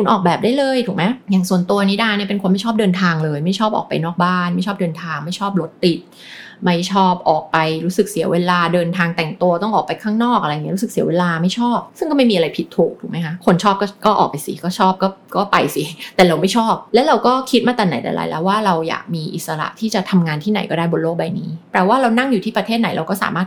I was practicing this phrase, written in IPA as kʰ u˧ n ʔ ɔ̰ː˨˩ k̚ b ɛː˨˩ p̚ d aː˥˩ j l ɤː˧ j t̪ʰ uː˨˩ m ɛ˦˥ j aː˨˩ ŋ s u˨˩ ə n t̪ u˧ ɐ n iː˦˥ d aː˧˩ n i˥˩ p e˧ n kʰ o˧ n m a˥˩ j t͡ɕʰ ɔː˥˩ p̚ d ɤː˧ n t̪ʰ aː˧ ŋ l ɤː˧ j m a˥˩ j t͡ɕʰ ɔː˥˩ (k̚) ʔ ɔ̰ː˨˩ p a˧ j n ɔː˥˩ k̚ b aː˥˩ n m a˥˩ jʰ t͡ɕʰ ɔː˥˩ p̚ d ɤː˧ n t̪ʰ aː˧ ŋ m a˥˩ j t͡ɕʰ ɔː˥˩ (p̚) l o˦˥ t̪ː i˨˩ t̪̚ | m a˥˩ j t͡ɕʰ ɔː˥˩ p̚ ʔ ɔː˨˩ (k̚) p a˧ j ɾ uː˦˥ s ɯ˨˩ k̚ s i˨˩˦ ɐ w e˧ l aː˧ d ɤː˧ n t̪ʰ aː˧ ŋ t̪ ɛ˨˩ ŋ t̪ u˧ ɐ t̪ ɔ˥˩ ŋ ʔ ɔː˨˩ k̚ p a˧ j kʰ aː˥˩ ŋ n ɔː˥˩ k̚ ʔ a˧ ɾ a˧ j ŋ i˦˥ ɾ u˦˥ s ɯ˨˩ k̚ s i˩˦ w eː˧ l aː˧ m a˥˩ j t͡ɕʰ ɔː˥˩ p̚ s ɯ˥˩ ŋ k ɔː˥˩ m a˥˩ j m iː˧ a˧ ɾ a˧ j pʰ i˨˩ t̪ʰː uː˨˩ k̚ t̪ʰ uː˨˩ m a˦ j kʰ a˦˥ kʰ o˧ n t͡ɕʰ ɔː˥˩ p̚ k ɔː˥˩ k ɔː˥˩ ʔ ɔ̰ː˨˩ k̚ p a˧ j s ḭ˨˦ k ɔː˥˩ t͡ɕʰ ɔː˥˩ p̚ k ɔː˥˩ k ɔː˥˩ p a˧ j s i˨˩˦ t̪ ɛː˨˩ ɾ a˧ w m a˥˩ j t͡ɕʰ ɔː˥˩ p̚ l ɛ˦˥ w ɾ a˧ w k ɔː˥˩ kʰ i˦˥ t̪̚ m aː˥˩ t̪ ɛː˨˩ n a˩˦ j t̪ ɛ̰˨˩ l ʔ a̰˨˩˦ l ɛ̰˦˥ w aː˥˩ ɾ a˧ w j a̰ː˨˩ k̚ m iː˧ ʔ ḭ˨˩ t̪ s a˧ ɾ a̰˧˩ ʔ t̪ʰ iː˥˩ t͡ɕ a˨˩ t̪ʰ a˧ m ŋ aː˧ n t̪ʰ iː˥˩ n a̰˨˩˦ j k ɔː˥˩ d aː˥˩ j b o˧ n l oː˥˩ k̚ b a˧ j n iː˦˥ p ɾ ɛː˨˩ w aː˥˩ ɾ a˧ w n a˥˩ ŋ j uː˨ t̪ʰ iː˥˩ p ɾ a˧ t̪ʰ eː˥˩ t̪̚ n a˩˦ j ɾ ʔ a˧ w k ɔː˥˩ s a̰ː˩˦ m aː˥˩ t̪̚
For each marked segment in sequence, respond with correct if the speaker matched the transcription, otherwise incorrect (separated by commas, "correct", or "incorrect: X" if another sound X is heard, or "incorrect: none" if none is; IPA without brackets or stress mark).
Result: incorrect: p̚, correct, correct